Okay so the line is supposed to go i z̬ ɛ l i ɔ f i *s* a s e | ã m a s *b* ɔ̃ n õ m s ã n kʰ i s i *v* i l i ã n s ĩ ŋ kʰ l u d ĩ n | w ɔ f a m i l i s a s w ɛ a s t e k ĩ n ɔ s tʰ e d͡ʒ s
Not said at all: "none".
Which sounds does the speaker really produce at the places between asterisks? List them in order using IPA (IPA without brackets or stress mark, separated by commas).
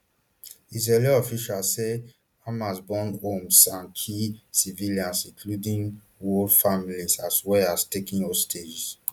ʃ, b, v